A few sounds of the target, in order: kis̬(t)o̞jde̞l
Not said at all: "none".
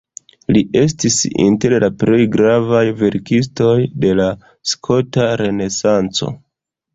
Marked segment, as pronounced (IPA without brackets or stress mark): t